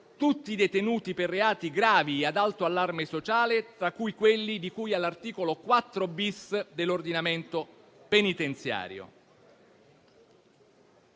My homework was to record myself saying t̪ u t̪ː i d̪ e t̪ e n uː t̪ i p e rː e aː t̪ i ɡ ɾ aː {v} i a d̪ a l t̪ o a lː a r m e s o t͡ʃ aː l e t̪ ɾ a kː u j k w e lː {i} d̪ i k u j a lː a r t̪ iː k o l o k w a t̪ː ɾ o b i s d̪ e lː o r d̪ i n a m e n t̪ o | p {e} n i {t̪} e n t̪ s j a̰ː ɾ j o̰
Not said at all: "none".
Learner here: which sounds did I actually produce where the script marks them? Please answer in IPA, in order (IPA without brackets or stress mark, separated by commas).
v, i, e, t̪